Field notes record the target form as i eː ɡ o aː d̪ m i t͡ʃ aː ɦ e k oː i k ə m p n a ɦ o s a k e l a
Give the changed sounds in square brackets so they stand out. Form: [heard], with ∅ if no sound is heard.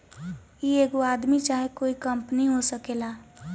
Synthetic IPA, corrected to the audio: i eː ɡ o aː d̪ m i t͡ʃ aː ɦ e k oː i k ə m p n [i] ɦ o s [ə] k e l a